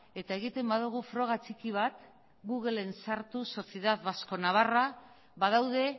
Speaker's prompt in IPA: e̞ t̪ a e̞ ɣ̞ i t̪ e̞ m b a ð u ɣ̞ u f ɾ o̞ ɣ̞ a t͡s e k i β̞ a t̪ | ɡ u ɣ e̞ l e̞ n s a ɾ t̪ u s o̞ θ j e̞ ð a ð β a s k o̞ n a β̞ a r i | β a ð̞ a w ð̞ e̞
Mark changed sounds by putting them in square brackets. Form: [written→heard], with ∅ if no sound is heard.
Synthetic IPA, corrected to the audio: e̞ t̪ a e̞ ɣ̞ i t̪ e̞ m b a ð u ɣ̞ u f ɾ o̞ ɣ̞ a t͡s [e→i] k i β̞ a t̪ | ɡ u ɣ e̞ l e̞ n s a ɾ t̪ u s o̞ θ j e̞ ð a ð β a s k o̞ n a β̞ a r [i→a] | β a ð̞ a w ð̞ e̞

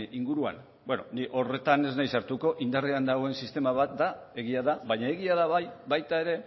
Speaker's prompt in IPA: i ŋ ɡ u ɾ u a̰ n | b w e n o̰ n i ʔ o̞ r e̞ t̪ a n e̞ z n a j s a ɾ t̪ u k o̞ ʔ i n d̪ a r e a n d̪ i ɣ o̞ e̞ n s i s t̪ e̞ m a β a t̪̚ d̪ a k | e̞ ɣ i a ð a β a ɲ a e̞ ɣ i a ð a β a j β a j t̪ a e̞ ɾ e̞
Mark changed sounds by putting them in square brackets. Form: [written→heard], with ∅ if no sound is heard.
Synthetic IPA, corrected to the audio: i ŋ ɡ u ɾ u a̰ n | b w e n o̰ n i ʔ o̞ r e̞ t̪ a n e̞ z n a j s a ɾ t̪ u k o̞ ʔ i n d̪ a r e a n d̪ [i→a] ɣ o̞ e̞ n s i s t̪ e̞ m a β a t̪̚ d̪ a [k→∅] | e̞ ɣ i a ð a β a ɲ a e̞ ɣ i a ð a β a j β a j t̪ a e̞ ɾ e̞

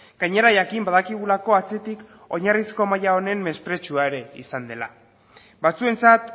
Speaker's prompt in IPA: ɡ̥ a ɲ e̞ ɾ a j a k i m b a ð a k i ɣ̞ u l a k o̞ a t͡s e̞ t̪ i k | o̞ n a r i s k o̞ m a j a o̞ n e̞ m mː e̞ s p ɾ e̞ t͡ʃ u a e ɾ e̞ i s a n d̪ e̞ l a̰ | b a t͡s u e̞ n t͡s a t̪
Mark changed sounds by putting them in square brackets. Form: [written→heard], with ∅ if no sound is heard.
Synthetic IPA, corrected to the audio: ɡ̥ a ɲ e̞ ɾ a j a k i m b a ð a k i ɣ̞ u l a k o̞ a t͡s e̞ t̪ i k | o̞ [n→ɲ] a r i s k o̞ m a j a o̞ n e̞ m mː e̞ s p ɾ e̞ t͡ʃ u a e ɾ e̞ i s a n d̪ e̞ l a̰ | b a t͡s u e̞ n t͡s a t̪

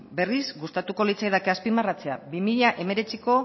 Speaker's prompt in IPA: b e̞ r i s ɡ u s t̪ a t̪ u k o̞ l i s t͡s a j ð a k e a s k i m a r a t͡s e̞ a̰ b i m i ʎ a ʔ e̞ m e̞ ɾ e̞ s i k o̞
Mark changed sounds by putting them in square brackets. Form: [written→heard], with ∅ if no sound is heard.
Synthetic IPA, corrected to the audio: b e̞ r i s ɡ u s t̪ a t̪ u k o̞ l i [s→∅] t͡s a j ð a k e a s [k→p] i m a r a t͡s e̞ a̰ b i m i ʎ a ʔ e̞ m e̞ ɾ e̞ [s→t͡s] i k o̞

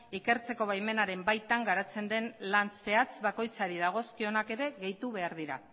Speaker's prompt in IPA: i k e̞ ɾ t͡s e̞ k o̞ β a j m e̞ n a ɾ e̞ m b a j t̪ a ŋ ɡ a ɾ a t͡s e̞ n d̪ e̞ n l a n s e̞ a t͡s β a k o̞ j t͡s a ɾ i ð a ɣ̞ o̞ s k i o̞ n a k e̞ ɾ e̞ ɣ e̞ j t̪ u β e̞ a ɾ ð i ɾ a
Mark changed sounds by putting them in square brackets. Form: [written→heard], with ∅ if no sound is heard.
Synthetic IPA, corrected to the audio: i k e̞ ɾ t͡s e̞ k o̞ β a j m e̞ n a ɾ e̞ m b a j t̪ a ŋ ɡ a ɾ a t͡s e̞ n d̪ e̞ n l a n s e̞ a t͡s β a k o̞ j t͡s a ɾ i ð a ɣ̞ o̞ s k i o̞ n a k e̞ ɾ e̞ ɣ e̞ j t̪ u β e̞ a ɾ ð i ɾ a

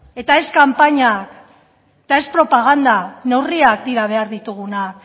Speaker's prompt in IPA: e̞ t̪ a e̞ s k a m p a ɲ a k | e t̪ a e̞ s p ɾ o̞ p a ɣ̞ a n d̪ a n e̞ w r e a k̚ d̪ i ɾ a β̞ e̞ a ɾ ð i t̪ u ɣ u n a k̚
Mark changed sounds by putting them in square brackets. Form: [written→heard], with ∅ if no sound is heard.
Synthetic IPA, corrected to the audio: e̞ t̪ a e̞ s k a m p a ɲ a k | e t̪ a e̞ s p ɾ o̞ p a ɣ̞ a n d̪ a n e̞ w r [e→i] a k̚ d̪ i ɾ a β̞ e̞ a ɾ ð i t̪ u ɣ u n a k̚

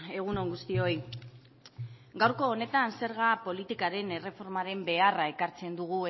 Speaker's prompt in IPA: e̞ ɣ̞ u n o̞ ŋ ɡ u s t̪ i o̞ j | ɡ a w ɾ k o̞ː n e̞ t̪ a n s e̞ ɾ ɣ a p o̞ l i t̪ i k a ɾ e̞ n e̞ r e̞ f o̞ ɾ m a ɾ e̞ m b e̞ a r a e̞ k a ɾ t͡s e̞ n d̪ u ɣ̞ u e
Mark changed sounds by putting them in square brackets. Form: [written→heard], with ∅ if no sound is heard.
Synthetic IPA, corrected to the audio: e̞ ɣ̞ u n o̞ ŋ ɡ u s t̪ i o̞ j | ɡ a w ɾ k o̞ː n e̞ t̪ a n s e̞ ɾ ɣ a p o̞ l i t̪ i k a ɾ e̞ n e̞ r e̞ f o̞ ɾ m a ɾ e̞ m b e̞ a r a e̞ k a ɾ t͡s e̞ n d̪ u ɣ̞ u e

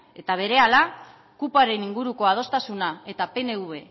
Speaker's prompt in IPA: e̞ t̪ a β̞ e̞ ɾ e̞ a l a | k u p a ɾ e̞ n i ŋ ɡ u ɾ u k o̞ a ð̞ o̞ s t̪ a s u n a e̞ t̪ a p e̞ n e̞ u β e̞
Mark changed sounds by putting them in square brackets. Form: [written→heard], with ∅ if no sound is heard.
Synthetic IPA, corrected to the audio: e̞ t̪ a β̞ e̞ ɾ e̞ a l a | k u p a ɾ e̞ n i ŋ ɡ u ɾ u k o̞ a ð̞ o̞ s t̪ a s u n a e̞ t̪ a p e̞ n e̞ u β e̞

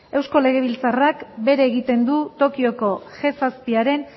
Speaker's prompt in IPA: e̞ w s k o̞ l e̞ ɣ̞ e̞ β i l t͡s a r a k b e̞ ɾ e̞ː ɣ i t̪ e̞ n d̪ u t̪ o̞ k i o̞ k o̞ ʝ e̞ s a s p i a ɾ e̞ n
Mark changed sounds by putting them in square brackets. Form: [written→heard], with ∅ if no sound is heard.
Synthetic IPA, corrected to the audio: e̞ w s k o̞ l e̞ ɣ̞ e̞ β i l t͡s a r a k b e̞ ɾ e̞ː ɣ i t̪ e̞ n d̪ u t̪ o̞ k i o̞ k o̞ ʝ e̞ s a s p i a ɾ e̞ n

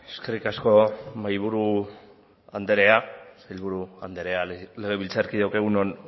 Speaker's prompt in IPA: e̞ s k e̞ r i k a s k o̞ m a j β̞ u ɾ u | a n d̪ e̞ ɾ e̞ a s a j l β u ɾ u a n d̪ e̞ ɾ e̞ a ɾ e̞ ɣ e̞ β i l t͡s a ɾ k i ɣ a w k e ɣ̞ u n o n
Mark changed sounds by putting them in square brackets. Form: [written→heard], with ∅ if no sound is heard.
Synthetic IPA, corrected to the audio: e̞ s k e̞ r i k a s k o̞ m a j β̞ u ɾ u | a n d̪ e̞ ɾ e̞ a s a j l β u ɾ u a n d̪ e̞ ɾ e̞ a [ɾ→l] e̞ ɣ e̞ β i l t͡s a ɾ k i [ɣ→ð] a w k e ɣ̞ u n o n

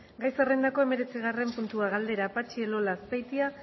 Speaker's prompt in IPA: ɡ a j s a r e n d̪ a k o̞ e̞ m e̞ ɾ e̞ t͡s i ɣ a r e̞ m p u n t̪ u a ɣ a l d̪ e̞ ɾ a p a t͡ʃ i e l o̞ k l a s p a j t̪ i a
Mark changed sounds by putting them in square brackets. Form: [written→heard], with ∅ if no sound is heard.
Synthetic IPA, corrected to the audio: ɡ a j s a r e n d̪ a k o̞ e̞ m e̞ ɾ e̞ t͡s i ɣ a r e̞ m p u n t̪ u a ɣ a l d̪ e̞ ɾ a p a t͡ʃ i e l o̞ [k→∅] l a s p a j t̪ i a

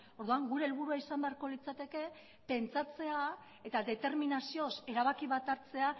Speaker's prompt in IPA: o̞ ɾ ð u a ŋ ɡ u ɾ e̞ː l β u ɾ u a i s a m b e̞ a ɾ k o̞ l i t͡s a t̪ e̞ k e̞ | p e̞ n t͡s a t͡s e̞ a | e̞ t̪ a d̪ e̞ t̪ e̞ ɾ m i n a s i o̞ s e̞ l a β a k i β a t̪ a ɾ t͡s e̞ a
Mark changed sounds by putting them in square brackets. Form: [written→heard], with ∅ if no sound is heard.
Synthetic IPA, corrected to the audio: o̞ ɾ ð u a ŋ ɡ u ɾ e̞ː l β u ɾ u a i s a m b e̞ a ɾ k o̞ l i t͡s a t̪ e̞ k e̞ | p e̞ n t͡s a t͡s e̞ a | e̞ t̪ a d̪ e̞ t̪ e̞ ɾ m i n a s i o̞ s e̞ [l→ɾ] a β a k i β a t̪ a ɾ t͡s e̞ a

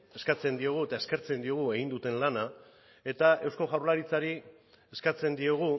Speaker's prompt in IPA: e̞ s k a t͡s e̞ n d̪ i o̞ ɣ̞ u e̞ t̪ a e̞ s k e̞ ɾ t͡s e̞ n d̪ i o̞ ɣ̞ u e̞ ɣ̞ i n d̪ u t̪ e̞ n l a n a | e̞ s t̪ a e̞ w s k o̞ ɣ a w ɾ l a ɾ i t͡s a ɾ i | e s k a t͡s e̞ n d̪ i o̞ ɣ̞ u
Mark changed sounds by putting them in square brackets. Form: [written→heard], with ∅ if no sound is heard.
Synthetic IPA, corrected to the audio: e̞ s k a t͡s e̞ n d̪ i o̞ ɣ̞ u e̞ t̪ a e̞ s k e̞ ɾ t͡s e̞ n d̪ i o̞ ɣ̞ u e̞ ɣ̞ i n d̪ u t̪ e̞ n l a n a | e̞ [s→∅] t̪ a e̞ w s k o̞ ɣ a w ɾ l a ɾ i t͡s a ɾ i | e s k a t͡s e̞ n d̪ i o̞ ɣ̞ u

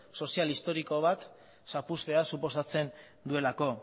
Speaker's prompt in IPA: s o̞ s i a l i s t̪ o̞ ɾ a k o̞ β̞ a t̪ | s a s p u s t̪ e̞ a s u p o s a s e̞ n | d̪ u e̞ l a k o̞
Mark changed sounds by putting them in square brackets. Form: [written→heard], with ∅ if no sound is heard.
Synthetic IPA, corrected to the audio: s o̞ s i a l i s t̪ o̞ ɾ [a→i] k o̞ β̞ a t̪ | s a [s→∅] p u s t̪ e̞ a s u p o s a [s→t͡s] e̞ n | d̪ u e̞ l a k o̞

